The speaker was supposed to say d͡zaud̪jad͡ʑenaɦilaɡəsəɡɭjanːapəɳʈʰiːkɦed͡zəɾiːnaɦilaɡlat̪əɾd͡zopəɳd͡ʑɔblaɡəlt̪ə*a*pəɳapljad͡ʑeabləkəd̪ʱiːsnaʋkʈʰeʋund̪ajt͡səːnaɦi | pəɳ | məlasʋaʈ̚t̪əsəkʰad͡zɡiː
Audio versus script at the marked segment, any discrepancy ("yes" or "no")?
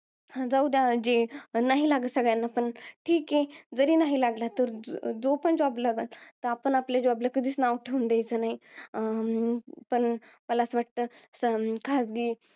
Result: no